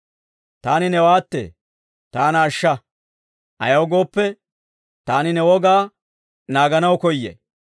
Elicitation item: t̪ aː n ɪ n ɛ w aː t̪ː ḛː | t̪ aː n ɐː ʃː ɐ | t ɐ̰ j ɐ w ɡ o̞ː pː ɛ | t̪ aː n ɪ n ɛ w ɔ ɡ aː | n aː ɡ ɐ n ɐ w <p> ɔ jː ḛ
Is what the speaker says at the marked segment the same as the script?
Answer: no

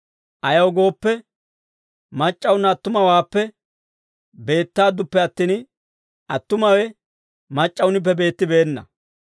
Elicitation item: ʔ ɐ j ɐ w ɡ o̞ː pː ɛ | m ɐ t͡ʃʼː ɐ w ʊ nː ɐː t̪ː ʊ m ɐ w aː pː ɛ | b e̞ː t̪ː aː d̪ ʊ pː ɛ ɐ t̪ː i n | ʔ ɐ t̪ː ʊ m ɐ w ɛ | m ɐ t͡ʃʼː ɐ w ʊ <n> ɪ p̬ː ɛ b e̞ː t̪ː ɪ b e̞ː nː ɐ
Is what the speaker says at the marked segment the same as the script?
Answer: yes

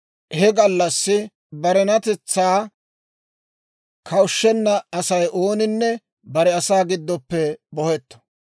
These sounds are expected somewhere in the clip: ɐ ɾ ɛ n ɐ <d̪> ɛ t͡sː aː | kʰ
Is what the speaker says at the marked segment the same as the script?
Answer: no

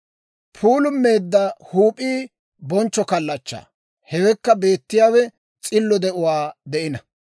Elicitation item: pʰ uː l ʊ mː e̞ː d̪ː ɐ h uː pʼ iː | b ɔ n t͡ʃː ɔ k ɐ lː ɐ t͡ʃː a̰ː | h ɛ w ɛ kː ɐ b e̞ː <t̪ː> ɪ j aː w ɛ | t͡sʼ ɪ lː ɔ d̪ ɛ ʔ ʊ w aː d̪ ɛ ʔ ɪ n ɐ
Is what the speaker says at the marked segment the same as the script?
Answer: yes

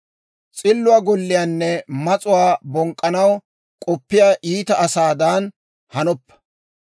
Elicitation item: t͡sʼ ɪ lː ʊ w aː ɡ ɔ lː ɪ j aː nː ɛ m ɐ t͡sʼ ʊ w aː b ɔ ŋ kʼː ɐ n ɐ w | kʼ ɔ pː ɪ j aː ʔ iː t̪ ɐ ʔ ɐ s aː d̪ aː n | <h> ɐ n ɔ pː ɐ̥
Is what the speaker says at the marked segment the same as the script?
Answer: yes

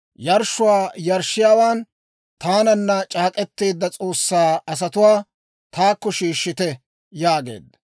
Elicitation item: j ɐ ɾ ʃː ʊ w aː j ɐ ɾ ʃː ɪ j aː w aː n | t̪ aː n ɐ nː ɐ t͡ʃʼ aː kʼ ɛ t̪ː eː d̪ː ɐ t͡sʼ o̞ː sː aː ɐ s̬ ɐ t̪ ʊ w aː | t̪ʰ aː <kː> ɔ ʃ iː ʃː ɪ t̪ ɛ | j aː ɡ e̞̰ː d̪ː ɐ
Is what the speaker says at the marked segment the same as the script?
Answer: yes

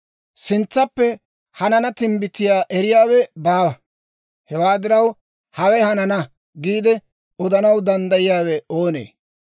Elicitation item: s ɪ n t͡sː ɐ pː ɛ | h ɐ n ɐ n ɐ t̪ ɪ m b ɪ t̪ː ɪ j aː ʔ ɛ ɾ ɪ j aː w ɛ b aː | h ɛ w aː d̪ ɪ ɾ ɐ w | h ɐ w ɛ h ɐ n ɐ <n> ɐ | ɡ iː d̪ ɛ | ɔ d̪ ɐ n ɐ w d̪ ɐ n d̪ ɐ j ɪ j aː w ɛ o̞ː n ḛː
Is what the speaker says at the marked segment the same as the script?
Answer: yes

